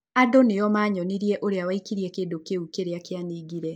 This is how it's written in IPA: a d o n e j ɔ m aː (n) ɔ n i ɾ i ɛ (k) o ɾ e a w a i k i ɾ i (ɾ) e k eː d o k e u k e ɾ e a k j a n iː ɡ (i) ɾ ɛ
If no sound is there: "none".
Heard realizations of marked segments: ɲ, ʔ, none, i

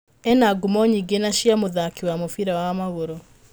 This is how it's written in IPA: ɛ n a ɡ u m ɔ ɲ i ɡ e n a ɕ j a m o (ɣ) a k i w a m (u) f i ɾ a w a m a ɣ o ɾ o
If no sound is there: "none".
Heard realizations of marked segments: ð, o

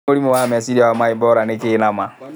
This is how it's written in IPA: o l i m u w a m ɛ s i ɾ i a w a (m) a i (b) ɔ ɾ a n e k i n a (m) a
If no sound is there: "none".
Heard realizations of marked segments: m, b, m

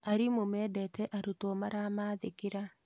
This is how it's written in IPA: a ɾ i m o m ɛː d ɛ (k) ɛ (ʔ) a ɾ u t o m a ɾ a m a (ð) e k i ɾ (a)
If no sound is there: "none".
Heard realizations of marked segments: t, ʔ, ð, a

